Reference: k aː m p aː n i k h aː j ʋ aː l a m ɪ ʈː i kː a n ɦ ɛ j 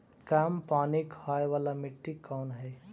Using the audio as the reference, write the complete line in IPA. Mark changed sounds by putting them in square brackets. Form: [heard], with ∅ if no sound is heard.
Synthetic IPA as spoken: k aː m p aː n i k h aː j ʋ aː l a m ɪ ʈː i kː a n ɦ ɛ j